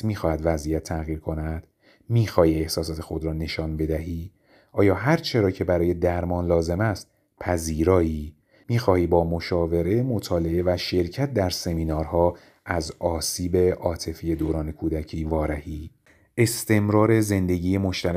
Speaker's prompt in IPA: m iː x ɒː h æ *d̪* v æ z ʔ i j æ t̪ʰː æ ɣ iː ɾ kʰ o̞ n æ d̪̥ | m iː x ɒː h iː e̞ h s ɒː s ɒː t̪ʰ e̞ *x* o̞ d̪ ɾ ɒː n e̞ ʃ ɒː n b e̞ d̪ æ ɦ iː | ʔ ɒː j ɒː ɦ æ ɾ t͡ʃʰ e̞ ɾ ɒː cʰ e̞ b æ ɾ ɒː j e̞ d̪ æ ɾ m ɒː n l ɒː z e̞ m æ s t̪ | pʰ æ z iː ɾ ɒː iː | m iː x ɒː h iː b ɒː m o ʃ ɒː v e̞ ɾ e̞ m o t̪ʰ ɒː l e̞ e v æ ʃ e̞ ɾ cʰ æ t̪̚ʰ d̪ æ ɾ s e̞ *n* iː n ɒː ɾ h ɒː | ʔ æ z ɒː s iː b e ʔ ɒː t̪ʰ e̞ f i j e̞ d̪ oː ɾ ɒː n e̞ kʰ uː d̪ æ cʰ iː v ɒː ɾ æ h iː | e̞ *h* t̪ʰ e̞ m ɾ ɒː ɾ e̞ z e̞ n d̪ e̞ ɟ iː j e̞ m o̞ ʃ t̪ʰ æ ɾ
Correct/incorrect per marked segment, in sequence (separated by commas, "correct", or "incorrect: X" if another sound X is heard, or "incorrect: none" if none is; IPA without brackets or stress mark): correct, correct, incorrect: m, incorrect: s